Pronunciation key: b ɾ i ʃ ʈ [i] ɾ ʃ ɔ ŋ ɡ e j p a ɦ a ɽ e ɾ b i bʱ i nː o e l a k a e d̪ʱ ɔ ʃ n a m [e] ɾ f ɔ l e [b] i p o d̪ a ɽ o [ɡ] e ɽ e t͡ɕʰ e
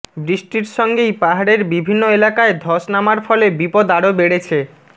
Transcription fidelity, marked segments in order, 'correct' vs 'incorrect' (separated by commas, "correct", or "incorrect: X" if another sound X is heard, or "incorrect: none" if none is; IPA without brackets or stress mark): correct, incorrect: a, correct, incorrect: b